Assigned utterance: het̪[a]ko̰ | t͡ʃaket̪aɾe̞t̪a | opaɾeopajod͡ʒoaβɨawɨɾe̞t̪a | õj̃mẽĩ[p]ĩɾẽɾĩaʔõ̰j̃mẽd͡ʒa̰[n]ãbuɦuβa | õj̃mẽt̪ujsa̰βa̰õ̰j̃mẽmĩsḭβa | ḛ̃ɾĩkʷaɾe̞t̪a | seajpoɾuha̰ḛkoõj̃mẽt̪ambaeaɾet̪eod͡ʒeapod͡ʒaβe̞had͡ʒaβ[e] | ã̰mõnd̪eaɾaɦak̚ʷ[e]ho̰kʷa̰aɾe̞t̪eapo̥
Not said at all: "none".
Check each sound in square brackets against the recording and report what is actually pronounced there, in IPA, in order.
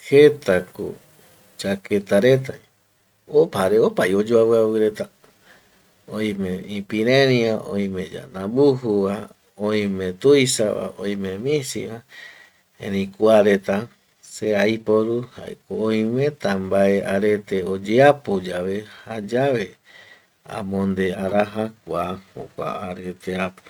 a, p, n, e, a

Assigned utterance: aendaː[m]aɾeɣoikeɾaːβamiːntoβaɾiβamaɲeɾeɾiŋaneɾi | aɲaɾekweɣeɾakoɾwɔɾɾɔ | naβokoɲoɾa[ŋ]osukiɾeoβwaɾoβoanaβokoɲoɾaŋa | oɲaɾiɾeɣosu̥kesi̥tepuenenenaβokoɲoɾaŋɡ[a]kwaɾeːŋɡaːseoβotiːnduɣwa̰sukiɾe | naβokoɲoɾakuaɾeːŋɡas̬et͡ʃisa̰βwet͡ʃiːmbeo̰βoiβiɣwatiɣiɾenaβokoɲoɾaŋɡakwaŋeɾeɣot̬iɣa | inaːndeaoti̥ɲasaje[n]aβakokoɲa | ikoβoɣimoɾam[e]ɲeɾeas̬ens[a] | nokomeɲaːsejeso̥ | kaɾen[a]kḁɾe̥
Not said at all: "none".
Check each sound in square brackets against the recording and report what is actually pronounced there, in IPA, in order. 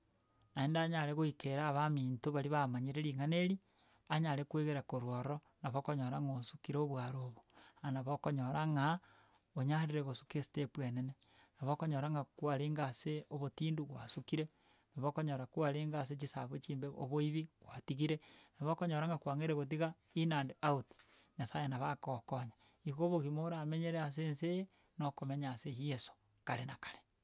ɲ, ŋ, a, n, e, e, a

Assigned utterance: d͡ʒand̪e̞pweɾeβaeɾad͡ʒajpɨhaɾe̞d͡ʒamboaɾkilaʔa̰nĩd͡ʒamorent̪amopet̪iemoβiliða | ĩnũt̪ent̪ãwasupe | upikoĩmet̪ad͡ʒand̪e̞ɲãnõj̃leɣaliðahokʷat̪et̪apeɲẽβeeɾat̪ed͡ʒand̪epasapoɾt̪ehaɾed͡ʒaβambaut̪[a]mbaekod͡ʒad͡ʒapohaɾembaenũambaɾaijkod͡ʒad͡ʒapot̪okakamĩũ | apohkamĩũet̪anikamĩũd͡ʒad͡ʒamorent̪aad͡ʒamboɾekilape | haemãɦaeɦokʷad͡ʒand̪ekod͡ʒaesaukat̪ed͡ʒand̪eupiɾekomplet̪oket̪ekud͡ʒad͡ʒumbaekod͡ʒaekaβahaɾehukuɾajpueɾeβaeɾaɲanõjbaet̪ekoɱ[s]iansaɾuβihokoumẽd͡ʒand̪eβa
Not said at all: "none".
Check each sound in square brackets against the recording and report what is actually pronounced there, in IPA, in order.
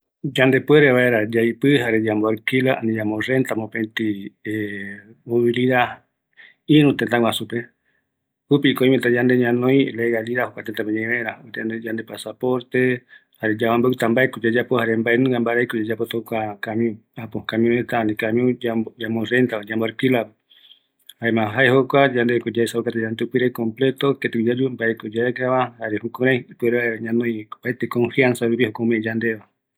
a, f

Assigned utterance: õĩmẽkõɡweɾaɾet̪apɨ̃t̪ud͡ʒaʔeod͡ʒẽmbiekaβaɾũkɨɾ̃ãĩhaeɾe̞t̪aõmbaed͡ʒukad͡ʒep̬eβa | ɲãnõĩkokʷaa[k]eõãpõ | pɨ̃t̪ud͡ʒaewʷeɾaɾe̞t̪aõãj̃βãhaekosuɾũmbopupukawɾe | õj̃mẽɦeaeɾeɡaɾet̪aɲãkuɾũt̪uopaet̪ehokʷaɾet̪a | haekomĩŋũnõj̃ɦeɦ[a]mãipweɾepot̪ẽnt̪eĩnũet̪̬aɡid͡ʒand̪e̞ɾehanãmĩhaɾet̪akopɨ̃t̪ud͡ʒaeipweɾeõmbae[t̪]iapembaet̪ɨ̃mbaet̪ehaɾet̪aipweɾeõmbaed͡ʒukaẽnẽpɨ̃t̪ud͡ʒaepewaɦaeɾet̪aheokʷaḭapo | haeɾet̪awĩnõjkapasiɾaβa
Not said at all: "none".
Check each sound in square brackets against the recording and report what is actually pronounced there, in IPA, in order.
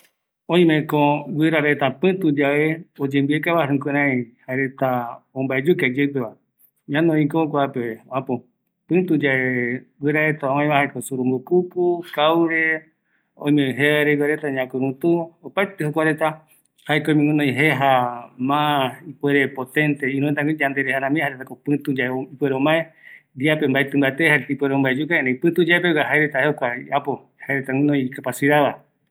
p, a, d̪

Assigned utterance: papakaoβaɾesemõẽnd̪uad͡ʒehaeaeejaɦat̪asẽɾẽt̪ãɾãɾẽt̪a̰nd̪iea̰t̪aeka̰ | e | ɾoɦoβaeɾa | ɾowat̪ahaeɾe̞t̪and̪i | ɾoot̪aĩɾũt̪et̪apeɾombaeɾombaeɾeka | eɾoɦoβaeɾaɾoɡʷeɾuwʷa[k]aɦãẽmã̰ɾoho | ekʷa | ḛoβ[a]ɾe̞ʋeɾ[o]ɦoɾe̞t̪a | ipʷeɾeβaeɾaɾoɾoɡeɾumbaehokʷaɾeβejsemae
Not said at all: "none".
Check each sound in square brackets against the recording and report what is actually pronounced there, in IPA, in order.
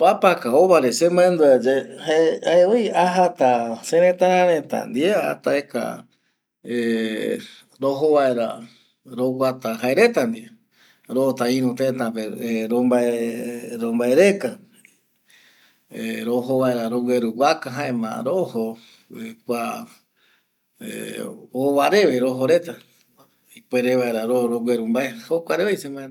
k, a, o

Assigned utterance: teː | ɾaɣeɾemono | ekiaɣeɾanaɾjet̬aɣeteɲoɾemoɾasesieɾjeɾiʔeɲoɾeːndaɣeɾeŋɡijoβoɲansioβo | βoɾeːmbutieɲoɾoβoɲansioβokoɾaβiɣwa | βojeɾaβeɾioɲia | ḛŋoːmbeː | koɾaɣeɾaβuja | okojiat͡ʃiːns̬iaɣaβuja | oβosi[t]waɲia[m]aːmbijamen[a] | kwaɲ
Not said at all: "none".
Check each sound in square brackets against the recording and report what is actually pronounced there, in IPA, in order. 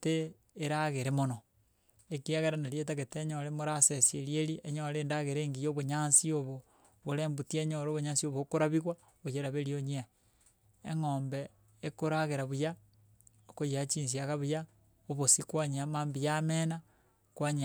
k, m, a

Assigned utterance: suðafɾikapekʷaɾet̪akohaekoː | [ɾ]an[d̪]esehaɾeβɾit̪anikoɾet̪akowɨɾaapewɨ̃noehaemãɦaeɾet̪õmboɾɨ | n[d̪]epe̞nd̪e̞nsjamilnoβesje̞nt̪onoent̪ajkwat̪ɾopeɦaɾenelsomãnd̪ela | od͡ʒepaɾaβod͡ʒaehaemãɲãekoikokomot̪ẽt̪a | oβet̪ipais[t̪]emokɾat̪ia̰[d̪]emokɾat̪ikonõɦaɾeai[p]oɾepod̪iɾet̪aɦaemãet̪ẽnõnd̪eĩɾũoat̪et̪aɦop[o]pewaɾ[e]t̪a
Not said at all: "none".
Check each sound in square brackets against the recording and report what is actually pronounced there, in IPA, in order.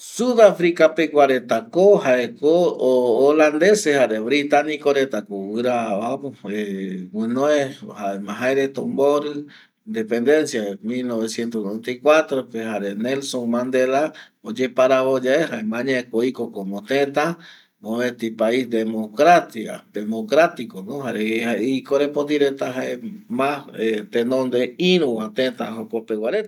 l, d̪, d̪, d̪, d̪, k, o, e

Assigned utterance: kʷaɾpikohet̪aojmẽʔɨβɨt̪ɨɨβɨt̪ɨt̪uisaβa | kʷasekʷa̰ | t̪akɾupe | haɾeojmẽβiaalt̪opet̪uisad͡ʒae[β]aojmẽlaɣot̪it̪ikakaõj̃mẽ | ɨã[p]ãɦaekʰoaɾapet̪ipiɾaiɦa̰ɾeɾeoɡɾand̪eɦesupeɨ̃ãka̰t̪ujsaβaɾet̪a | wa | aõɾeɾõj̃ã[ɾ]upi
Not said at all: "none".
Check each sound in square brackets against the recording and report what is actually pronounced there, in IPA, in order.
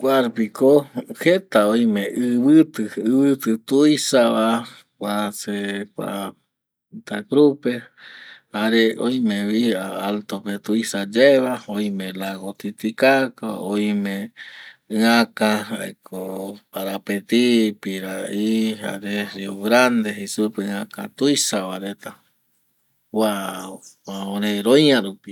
β, k, ɾ

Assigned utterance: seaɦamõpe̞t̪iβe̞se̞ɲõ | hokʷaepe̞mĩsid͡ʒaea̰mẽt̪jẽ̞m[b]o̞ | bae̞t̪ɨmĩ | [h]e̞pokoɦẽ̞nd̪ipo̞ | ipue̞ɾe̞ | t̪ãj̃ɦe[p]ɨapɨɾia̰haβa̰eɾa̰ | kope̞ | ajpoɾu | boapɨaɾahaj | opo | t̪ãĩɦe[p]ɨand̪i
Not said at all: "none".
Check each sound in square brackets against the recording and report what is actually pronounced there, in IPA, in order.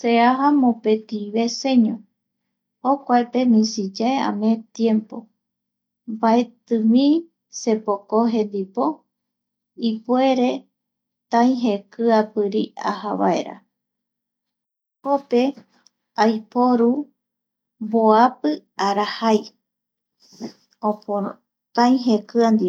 p, s, k, k

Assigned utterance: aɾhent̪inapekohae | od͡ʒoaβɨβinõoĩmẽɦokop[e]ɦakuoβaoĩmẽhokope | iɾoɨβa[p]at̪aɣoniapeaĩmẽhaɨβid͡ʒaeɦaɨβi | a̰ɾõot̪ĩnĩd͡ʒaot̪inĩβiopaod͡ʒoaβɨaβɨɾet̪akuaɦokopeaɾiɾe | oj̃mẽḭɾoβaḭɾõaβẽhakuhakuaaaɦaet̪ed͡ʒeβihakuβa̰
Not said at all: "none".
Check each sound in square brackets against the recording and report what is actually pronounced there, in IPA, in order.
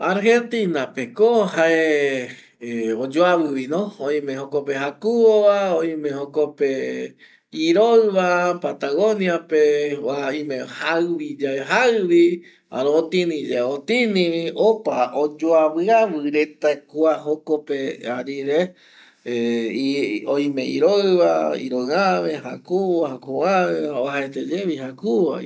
e, p

